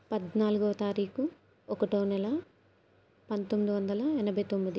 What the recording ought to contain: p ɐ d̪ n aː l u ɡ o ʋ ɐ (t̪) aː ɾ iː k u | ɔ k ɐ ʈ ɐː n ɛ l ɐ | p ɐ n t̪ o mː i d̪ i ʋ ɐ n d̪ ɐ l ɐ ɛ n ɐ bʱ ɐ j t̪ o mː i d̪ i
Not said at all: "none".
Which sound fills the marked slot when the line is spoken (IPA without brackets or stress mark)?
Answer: t̪